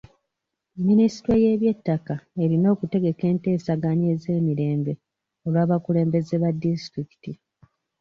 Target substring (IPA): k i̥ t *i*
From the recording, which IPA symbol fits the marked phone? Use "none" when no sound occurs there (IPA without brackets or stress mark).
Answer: i